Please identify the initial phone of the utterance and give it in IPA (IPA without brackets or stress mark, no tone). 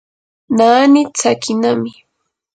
n